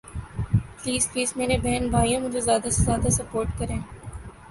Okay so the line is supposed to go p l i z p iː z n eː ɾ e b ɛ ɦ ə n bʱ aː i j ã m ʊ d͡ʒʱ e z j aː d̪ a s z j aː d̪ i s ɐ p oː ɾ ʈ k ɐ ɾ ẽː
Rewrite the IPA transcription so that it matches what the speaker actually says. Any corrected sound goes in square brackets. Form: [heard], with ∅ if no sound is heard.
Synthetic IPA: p l [iː] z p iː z [m] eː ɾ e b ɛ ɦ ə n bʱ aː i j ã m ʊ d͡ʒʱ e z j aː d̪ a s z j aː d̪ [a] s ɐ p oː ɾ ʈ k ɐ ɾ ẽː